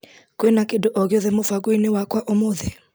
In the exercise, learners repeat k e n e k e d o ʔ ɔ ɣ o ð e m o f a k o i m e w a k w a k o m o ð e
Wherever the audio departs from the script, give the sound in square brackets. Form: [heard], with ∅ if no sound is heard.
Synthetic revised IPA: k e n [a] k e d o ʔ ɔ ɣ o ð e m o f a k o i [n] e w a k w a [ʔ] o m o ð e